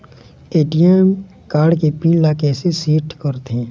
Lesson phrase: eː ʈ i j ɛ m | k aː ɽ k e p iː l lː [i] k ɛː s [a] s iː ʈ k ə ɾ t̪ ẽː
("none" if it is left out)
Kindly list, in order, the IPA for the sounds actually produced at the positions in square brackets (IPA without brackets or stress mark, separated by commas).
a, e